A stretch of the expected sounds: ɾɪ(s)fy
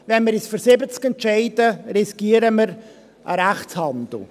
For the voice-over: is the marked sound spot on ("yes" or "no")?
yes